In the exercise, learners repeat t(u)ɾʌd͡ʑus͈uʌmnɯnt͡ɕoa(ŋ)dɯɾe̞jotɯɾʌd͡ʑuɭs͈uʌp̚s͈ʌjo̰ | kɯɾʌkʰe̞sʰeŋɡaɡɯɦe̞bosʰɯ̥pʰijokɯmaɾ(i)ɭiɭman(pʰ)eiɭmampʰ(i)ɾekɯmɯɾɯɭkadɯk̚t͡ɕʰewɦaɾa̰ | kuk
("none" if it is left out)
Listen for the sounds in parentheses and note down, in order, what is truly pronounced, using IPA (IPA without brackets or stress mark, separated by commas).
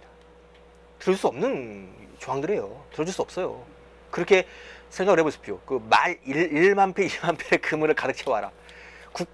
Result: ɯ, ŋ, i, pʰ, e